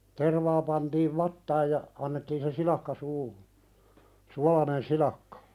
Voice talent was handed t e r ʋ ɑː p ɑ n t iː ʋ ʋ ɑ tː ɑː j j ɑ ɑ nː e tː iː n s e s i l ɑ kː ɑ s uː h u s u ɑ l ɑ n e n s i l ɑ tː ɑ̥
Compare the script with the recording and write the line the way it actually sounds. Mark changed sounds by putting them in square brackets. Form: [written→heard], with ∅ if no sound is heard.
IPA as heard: t e r ʋ ɑː p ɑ n t iː ʋ ʋ ɑ tː ɑː j j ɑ ɑ nː e tː iː n s e s i l ɑ kː ɑ s uː h u s u ɑ l ɑ n e n s i l ɑ [tː→kː] ɑ̥